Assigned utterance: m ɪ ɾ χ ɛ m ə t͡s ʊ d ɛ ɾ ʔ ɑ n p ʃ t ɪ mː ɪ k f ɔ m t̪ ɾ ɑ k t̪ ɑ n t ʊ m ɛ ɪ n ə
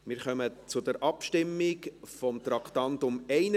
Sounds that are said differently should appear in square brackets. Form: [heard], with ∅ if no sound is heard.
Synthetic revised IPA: m ɪ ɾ χ [œ] m ə t͡s ʊ d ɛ ɾ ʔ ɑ [∅] p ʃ t ɪ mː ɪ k f ɔ m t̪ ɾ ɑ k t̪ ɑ n t ʊ m ɛ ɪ n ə